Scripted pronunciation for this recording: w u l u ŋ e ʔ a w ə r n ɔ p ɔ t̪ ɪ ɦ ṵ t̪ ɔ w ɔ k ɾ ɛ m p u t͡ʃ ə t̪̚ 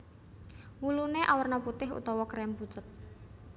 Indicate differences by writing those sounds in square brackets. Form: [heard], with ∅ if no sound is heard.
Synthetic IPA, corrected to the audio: w u l u [n] e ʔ a w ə r n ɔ p [u] t̪ ɪ ɦ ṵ t̪ ɔ w ɔ k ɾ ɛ m p u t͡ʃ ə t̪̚